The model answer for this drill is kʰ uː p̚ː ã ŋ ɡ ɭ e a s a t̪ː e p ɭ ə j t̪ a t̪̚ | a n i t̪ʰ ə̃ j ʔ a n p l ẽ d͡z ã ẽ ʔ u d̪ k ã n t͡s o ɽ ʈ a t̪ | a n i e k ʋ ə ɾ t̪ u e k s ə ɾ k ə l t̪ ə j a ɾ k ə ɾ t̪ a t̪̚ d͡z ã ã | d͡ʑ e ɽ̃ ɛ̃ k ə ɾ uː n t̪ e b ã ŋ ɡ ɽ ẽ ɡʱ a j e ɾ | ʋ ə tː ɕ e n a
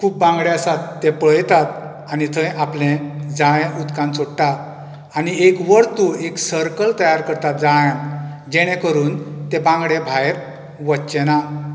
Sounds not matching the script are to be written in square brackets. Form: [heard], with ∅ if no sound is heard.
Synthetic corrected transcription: kʰ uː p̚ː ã ŋ ɡ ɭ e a s a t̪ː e p ɭ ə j t̪ a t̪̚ | a n i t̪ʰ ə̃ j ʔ a [∅] p l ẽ d͡z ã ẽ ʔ u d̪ k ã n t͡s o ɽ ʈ a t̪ | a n i e k ʋ ə ɾ t̪ u e k s ə ɾ k ə l t̪ ə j a ɾ k ə ɾ t̪ a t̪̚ d͡z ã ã | d͡ʑ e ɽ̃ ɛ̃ k ə ɾ uː n t̪ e b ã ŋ ɡ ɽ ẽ [bʱ] a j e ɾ | ʋ ə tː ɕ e n a